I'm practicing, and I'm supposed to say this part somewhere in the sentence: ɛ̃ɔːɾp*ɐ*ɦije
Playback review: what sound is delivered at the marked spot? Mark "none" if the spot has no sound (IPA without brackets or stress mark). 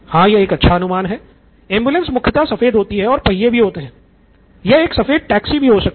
ɐ